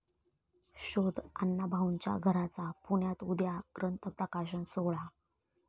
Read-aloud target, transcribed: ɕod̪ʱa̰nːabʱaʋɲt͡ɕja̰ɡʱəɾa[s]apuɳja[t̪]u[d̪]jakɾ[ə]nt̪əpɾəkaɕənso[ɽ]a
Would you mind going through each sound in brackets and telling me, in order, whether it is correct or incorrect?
incorrect: t͡s, correct, correct, correct, incorrect: ɭ

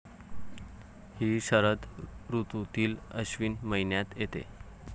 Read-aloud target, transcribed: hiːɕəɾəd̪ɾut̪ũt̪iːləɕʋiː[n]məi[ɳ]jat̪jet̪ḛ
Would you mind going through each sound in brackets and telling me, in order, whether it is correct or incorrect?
correct, incorrect: n

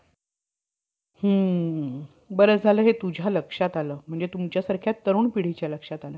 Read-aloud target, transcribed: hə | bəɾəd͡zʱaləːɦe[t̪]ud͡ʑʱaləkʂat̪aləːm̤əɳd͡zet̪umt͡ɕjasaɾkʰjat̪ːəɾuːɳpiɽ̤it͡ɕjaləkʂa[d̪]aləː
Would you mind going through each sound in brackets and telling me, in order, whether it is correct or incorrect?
correct, incorrect: t̪

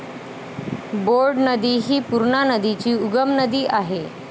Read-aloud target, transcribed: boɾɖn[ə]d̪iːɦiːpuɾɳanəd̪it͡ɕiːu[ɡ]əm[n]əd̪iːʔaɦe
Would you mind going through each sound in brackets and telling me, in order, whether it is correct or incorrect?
correct, correct, correct

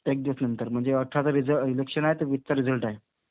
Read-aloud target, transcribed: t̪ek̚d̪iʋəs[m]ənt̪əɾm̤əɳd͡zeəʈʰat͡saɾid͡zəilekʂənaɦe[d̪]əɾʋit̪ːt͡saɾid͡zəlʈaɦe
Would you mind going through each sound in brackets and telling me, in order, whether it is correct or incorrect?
incorrect: n, incorrect: t̪

